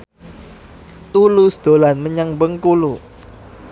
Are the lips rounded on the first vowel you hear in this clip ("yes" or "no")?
yes